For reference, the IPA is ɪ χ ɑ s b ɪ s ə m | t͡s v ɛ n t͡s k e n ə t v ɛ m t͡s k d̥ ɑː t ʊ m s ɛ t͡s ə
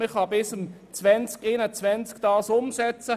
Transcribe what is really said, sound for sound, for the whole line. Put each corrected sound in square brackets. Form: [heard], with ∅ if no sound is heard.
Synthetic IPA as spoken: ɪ χ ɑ [∅] b ɪ s ə m | t͡s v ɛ n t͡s k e n ə [t͡s] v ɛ [n] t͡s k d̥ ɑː [s] ʊ m s ɛ t͡s ə